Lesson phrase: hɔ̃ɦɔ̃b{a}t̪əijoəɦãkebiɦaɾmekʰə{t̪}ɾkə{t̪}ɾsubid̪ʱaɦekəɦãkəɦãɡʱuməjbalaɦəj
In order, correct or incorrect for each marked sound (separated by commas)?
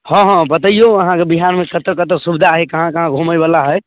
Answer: incorrect, correct, correct